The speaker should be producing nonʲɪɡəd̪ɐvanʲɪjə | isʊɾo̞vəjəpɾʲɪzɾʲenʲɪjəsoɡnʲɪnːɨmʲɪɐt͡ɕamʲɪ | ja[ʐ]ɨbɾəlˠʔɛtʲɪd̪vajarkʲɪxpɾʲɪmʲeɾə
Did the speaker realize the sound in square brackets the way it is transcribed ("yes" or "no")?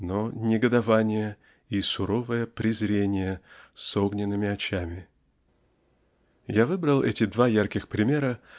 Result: no